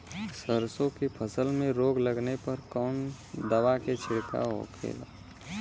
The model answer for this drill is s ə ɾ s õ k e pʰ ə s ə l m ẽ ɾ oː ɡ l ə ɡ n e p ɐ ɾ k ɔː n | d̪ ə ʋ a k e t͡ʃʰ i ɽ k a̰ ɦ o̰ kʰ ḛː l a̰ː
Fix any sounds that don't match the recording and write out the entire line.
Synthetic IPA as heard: s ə ɾ s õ k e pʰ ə s ə l m ẽ ɾ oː ɡ l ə ɡ n e p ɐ ɾ k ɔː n | d̪ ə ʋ a k e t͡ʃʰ ɪ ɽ k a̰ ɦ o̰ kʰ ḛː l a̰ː